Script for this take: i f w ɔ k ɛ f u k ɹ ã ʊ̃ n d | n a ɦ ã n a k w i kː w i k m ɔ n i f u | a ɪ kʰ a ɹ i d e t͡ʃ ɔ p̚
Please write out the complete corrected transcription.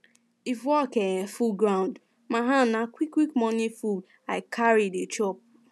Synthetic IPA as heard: i f w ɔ k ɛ f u ɡ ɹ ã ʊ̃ n d | m a ɦ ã n a k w i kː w i k m ɔ n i f u | a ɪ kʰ a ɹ i d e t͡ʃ ɔ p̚